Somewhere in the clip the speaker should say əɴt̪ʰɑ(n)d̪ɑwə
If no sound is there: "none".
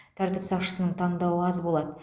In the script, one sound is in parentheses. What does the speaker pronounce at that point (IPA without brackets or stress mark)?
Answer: ɴ